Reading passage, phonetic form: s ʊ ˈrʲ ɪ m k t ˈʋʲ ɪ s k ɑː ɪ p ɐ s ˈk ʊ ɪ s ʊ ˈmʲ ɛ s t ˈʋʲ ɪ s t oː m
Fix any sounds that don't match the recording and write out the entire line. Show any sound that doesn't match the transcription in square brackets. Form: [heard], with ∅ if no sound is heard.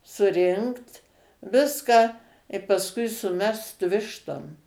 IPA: s ʊ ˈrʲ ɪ [ŋ] k t ˈʋʲ ɪ s k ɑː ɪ p ɐ s ˈk ʊ ɪ s ʊ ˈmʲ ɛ s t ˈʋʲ ɪ [ʃ] t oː m